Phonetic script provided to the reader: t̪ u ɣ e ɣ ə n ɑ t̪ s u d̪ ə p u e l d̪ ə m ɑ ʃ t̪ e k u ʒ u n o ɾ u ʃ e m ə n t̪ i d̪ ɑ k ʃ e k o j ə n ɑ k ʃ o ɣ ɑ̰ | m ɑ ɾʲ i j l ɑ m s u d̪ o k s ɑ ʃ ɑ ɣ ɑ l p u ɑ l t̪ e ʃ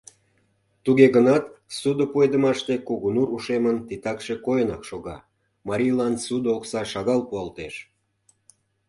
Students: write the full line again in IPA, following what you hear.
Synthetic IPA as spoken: t̪ u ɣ e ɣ ə n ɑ t̪ s u d̪ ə p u e d̪ ə m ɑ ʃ t̪ e k u ɣ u n u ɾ u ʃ e m ə n t̪ i t̪ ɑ k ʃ e k o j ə n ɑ k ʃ o ɣ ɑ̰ | m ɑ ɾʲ i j l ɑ n s u d̪ o k s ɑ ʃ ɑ ɣ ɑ l p u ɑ l t̪ e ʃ